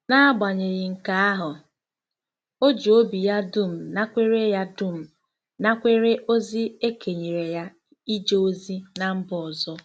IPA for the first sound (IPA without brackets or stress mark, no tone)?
n